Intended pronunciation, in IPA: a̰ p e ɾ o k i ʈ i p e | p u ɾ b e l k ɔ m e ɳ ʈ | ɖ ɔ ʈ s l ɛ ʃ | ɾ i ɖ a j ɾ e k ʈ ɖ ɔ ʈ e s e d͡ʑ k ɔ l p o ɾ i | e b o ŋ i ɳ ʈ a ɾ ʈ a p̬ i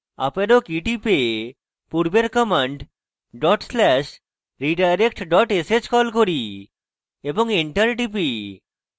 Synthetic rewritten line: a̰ p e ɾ o k i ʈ i p e | p u ɾ b e ɾ k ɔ m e ɳ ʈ | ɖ ɔ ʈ s l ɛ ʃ | ɾ i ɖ a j ɾ e k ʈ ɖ ɔ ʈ e s e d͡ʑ k ɔ l k o ɾ i | e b o ŋ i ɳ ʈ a ɾ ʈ i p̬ i